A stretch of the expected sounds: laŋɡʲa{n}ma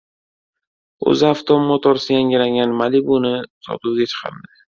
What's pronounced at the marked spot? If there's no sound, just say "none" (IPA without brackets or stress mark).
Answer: n